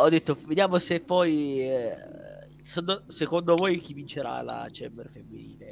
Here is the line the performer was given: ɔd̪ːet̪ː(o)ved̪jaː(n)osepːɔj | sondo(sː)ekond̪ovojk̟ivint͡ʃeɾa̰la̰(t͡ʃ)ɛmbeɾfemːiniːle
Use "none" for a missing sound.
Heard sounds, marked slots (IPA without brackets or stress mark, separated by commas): o, m, s, t͡ʃ